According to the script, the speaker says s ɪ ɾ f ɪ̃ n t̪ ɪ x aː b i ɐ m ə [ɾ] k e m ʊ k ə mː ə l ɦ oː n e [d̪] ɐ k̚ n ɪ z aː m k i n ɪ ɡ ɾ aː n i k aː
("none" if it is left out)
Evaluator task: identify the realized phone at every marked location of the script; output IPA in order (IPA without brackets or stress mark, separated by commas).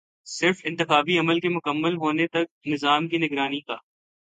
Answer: l, t̪